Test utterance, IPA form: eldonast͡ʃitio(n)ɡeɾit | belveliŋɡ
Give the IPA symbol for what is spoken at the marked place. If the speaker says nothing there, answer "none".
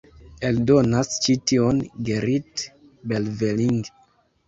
n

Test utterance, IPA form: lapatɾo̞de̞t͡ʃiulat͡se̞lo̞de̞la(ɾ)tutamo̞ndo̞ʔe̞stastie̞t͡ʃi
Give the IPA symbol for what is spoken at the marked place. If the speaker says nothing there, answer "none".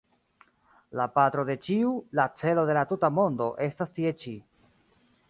none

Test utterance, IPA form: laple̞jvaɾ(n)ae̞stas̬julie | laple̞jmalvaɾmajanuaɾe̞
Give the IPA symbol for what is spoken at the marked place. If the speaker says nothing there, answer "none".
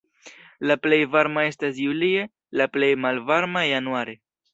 m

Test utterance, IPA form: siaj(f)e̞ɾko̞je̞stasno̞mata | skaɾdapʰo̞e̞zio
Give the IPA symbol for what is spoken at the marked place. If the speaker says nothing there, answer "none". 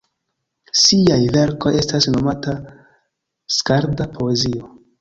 v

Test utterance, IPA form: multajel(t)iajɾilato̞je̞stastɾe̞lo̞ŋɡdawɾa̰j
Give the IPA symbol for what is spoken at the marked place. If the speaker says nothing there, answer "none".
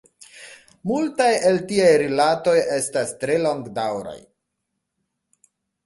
t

